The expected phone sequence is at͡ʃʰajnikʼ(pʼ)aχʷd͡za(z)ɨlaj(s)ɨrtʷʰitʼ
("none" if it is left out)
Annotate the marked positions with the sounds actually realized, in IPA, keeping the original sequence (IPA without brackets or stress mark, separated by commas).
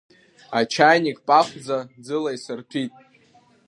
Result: pʼ, d͡z, s